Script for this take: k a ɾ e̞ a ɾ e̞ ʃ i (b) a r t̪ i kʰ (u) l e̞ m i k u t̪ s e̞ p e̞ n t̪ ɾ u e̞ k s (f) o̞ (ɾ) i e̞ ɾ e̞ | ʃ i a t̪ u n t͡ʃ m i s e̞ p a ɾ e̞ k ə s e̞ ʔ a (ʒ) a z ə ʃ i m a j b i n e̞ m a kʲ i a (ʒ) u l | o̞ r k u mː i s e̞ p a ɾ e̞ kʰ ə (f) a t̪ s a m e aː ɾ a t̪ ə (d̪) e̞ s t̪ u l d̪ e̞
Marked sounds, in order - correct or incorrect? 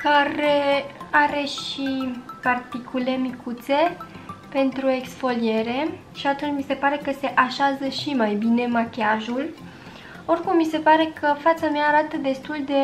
incorrect: p, correct, correct, incorrect: l, incorrect: ʃ, correct, correct, correct

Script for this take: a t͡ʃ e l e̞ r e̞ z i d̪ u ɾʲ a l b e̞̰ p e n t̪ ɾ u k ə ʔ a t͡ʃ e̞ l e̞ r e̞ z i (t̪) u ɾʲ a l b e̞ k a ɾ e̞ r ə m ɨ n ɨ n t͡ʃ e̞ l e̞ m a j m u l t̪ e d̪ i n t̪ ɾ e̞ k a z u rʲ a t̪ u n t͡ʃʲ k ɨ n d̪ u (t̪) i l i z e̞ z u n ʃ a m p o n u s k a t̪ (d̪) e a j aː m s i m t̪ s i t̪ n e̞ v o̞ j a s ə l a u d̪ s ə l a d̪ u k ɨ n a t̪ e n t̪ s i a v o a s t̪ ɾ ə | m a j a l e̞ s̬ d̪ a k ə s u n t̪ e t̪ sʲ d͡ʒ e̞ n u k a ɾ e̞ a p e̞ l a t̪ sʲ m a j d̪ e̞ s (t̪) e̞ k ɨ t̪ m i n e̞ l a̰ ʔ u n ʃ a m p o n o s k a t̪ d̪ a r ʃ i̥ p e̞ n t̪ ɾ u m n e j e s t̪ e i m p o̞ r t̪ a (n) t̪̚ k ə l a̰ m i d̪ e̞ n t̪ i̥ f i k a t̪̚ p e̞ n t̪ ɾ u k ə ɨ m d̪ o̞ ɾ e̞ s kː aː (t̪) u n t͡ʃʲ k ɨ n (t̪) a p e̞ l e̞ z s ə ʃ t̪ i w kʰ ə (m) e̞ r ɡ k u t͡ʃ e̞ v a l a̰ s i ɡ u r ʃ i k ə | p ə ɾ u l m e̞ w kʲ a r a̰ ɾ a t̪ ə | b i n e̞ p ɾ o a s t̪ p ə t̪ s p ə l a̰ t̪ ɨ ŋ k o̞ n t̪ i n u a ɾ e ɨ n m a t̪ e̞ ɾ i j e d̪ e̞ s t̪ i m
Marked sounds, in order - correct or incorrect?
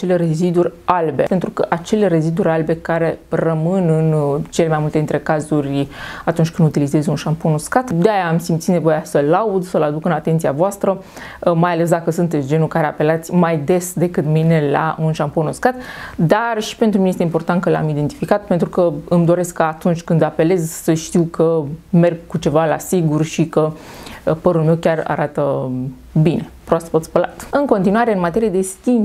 incorrect: d̪, correct, correct, incorrect: d̪, correct, correct, incorrect: d̪, correct

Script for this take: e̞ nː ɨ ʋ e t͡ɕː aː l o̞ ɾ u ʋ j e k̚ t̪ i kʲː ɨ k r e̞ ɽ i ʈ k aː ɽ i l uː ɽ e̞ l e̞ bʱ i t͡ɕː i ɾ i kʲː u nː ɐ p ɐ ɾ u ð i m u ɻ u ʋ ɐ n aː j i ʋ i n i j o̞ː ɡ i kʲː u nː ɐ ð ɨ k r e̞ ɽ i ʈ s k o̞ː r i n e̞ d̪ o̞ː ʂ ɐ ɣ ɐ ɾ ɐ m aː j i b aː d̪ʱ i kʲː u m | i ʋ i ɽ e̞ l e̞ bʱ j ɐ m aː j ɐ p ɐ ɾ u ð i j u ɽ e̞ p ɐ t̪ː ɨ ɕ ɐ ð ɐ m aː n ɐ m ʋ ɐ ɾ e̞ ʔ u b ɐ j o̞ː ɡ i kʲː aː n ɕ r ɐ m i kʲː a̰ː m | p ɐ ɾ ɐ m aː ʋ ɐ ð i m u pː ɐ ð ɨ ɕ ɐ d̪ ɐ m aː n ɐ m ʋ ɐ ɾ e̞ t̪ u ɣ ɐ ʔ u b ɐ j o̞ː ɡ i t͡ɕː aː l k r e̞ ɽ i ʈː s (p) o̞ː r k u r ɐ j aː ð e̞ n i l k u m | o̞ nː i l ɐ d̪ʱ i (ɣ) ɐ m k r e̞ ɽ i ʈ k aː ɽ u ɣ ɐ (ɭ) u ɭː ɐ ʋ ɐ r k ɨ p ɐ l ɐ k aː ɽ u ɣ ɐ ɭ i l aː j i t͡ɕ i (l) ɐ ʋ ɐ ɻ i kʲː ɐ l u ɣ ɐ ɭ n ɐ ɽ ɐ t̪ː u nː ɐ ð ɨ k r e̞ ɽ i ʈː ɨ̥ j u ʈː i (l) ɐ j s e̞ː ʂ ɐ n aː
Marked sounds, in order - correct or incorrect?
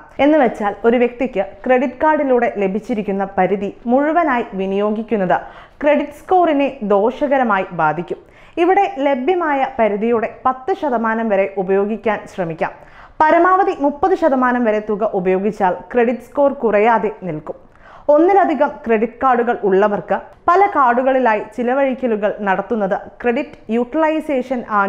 incorrect: k, correct, correct, correct, correct

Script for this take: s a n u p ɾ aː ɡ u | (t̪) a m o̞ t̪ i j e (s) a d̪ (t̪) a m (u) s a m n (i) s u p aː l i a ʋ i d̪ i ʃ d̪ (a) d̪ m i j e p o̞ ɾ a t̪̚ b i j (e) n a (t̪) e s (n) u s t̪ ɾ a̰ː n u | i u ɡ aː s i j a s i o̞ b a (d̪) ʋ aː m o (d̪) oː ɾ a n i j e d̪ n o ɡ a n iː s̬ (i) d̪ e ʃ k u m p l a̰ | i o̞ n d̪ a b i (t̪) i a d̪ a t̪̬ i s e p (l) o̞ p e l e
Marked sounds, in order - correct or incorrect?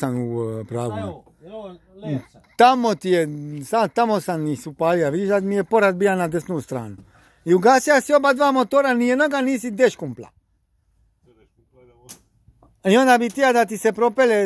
correct, correct, correct, incorrect: o, correct, correct, incorrect: a, incorrect: d̪, correct, correct, incorrect: t̪, correct, correct, incorrect: ɾ

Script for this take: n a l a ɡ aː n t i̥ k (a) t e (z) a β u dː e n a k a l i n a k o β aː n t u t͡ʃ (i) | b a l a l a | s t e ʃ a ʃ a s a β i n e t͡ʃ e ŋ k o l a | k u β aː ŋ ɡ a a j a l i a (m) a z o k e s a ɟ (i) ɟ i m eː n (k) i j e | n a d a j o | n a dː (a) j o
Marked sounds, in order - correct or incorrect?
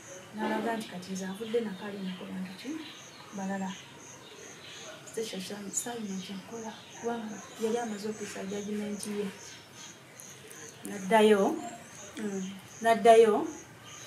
correct, correct, correct, correct, incorrect: a, incorrect: t, correct

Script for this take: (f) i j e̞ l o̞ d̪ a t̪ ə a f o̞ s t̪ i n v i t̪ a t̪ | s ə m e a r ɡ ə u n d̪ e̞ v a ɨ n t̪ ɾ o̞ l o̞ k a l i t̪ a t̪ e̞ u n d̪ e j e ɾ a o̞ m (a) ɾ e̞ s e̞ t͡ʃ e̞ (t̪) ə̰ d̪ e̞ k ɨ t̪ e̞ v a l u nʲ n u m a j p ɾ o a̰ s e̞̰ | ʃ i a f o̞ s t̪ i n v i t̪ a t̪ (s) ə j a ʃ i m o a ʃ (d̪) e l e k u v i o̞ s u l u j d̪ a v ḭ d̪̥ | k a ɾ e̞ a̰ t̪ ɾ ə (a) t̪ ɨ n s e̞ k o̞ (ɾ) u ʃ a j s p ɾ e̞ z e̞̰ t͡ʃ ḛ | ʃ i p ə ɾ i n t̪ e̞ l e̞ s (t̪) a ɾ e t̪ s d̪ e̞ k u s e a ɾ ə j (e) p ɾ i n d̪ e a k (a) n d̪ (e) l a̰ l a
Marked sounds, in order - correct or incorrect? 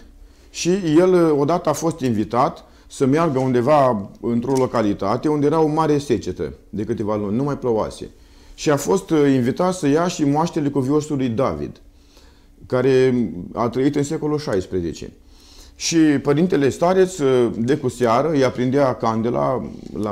incorrect: ʃ, correct, correct, correct, incorrect: t̪, incorrect: i, incorrect: l, correct, incorrect: a, correct, correct

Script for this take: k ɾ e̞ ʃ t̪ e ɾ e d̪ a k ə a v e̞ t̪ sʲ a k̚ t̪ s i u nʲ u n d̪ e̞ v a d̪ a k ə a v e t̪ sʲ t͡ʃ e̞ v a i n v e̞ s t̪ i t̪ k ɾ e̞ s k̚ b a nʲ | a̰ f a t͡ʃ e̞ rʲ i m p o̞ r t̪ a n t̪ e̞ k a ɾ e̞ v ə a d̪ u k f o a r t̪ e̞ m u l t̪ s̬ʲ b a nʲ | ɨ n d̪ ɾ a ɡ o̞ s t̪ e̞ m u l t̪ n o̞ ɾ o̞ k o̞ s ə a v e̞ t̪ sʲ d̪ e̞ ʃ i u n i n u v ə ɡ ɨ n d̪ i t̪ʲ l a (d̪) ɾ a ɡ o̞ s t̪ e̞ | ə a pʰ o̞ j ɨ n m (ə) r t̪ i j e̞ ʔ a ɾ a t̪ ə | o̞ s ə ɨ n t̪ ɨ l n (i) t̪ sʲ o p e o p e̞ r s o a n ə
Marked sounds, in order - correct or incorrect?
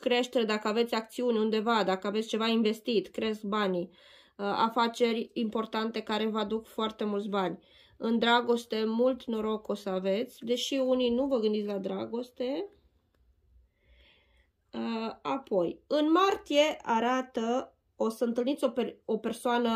correct, incorrect: a, correct

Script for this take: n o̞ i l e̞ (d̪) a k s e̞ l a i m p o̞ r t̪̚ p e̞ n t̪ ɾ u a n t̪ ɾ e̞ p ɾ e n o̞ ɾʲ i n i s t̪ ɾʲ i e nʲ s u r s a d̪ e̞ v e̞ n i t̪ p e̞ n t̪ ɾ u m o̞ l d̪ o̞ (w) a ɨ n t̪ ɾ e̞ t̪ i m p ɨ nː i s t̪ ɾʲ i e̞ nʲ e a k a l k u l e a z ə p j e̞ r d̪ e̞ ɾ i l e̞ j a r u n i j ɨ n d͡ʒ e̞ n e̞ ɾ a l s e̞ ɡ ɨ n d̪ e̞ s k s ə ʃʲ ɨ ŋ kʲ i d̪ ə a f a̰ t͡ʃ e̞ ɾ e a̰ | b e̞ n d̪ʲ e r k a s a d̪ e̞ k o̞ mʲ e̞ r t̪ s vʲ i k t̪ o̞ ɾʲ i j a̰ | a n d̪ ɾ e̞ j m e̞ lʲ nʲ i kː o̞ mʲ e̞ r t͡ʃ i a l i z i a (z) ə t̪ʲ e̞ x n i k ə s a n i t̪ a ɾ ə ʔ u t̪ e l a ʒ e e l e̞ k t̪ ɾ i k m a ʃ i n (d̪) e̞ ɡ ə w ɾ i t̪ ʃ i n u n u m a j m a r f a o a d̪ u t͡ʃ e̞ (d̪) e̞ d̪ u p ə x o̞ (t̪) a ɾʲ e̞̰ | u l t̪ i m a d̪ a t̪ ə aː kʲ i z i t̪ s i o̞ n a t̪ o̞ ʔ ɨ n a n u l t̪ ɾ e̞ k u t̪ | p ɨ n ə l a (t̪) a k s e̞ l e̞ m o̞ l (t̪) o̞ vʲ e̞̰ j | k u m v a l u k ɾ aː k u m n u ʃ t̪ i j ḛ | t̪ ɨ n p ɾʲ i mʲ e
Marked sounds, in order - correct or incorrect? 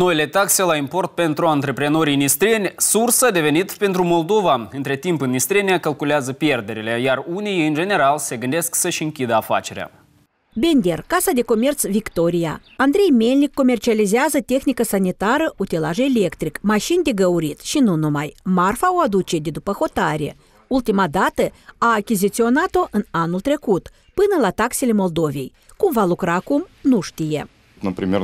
incorrect: t̪, incorrect: v, correct, correct, correct, correct, correct, incorrect: d̪

